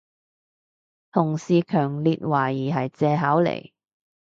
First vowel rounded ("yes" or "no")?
yes